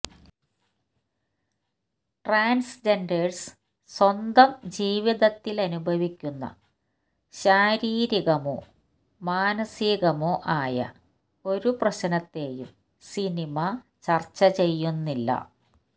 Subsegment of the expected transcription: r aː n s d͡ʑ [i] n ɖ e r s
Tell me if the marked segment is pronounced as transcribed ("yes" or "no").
no